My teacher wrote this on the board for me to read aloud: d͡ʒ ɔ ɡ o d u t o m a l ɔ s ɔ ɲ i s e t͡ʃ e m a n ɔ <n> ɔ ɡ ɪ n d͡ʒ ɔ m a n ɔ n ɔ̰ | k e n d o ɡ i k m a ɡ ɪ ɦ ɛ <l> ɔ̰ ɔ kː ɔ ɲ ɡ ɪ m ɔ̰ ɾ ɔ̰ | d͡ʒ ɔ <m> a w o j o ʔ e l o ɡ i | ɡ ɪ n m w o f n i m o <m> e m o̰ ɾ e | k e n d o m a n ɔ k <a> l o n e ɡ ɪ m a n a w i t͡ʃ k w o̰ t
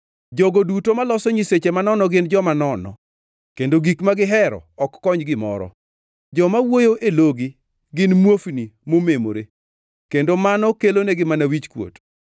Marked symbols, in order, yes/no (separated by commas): yes, no, yes, yes, no